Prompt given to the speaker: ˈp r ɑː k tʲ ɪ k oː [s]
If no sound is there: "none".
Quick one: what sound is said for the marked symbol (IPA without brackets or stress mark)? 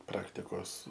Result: s